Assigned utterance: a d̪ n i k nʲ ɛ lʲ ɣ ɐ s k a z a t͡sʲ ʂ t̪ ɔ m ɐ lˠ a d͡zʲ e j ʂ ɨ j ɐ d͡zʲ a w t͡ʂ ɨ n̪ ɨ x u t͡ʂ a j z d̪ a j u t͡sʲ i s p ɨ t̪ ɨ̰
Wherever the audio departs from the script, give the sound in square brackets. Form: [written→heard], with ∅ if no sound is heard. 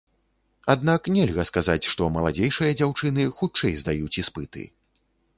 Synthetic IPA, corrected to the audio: a d̪ n [i→a] k nʲ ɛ lʲ ɣ ɐ s k a z a t͡sʲ ʂ t̪ ɔ m ɐ lˠ a d͡zʲ e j ʂ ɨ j ɐ d͡zʲ a w t͡ʂ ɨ n̪ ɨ x u t͡ʂ [a→ɛ] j z d̪ a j u t͡sʲ i s p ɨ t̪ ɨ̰